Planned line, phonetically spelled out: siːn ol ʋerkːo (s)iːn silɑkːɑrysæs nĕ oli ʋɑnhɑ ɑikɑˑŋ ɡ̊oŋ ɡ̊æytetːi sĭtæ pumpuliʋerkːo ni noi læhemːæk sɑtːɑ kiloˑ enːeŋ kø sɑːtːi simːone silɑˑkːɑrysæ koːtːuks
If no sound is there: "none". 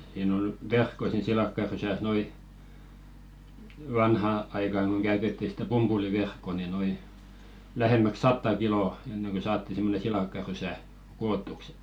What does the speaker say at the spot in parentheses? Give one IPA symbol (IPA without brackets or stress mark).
s